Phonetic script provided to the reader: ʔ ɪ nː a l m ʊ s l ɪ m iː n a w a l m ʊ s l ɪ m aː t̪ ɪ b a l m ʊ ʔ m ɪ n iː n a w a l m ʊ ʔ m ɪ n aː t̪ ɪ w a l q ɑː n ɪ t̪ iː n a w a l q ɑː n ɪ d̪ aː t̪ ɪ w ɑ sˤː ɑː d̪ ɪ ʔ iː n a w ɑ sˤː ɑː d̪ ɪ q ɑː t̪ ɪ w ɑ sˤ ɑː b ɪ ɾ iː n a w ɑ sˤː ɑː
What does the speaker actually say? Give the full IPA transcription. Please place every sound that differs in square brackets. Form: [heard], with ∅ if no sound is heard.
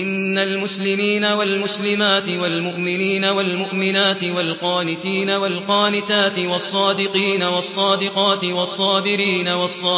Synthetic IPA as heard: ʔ ɪ nː a l m ʊ s l ɪ m iː n a w a l m ʊ s l ɪ m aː t̪ ɪ [w] a l m ʊ ʔ m ɪ n iː n a w a l m ʊ ʔ m ɪ n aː t̪ ɪ w a l q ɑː n ɪ t̪ iː n a w a l q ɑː n ɪ [t̪] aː t̪ ɪ w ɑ sˤː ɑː d̪ ɪ [q] iː n a w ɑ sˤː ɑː d̪ ɪ q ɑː t̪ ɪ w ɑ [sˤː] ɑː b ɪ ɾ iː n a w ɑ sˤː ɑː

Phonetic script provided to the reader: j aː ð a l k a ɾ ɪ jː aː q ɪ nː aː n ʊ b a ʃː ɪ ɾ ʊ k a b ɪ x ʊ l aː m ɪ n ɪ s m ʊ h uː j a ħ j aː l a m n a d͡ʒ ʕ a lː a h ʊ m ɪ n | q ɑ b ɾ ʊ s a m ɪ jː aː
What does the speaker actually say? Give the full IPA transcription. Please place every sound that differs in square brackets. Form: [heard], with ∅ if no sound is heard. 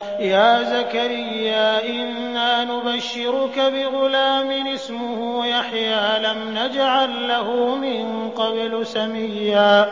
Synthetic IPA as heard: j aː [z] a [∅] k a ɾ ɪ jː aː [ʔ] ɪ nː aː n ʊ b a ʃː ɪ ɾ ʊ k a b ɪ [ɣ] ʊ l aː m ɪ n ɪ s m ʊ h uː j a ħ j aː l a m n a d͡ʒ ʕ a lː a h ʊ m ɪ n | q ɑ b [l] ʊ s a m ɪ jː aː

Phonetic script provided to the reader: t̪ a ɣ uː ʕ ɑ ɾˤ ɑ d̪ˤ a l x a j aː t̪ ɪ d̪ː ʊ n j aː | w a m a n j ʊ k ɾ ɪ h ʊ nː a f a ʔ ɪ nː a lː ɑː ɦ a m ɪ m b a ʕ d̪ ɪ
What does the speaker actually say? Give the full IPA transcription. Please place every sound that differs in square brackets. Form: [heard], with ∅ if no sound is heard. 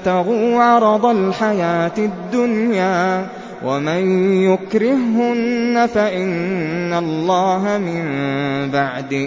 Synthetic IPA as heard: t̪ a ɣ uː ʕ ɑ ɾˤ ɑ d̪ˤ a l [ħ] a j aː t̪ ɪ d̪ː ʊ n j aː | w a m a n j ʊ k ɾ ɪ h ʊ nː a f a ʔ ɪ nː a lː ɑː ɦ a m ɪ m b a ʕ d̪ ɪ

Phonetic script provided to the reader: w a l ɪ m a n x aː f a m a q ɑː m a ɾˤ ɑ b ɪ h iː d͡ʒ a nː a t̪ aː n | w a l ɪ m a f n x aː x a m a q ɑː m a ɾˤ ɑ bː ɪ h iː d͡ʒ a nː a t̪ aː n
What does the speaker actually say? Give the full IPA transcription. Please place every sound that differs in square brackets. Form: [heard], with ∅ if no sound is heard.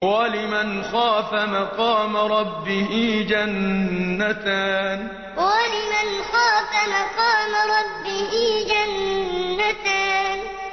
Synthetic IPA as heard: w a l ɪ m a n x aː f a m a q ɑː m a ɾˤ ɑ [bː] ɪ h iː d͡ʒ a nː a t̪ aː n | w a l ɪ m a [∅] n x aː [f] a m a q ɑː m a ɾˤ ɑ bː ɪ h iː d͡ʒ a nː a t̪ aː n

